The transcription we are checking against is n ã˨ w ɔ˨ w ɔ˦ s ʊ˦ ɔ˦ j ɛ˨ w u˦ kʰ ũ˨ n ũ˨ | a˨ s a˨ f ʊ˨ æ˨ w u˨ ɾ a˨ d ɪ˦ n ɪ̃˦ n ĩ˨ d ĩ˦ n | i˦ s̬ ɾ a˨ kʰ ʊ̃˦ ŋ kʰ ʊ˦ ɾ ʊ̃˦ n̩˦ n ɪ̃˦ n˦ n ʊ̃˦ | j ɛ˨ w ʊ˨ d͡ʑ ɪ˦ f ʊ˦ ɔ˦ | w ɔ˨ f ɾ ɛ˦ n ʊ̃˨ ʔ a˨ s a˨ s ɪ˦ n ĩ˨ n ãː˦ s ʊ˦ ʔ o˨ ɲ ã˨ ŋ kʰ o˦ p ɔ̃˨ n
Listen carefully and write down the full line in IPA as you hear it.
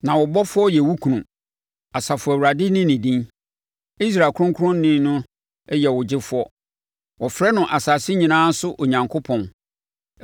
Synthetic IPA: n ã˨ w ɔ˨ b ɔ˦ f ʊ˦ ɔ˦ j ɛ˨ w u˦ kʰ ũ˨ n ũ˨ | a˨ s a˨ f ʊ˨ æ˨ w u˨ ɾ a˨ d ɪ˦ n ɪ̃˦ n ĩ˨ d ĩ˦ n | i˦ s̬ ɾ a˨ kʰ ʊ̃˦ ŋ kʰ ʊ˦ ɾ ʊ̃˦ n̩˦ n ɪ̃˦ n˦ n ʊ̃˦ | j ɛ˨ w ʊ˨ d͡ʑ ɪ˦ f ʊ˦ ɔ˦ | w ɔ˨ f ɾ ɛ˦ n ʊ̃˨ ʔ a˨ s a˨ s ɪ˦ ɲ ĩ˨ n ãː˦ s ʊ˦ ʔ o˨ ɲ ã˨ ŋ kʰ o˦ pʰ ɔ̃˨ n